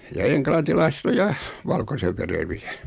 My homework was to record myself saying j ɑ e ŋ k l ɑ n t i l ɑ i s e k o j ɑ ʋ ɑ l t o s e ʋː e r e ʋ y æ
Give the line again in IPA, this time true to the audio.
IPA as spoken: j ɑ e ŋ k l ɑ n t i l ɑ i s e t o j ɑ ʋ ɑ l k o s e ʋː e r e ʋ i æ